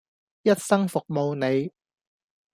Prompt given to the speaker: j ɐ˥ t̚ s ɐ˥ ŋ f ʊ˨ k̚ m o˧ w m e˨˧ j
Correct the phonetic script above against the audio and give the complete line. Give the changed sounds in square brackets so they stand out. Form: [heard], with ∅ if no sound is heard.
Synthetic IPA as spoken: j ɐ˥ t̚ s ɐ˥ ŋ f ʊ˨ k̚ m o˧ w [n] e˨˧ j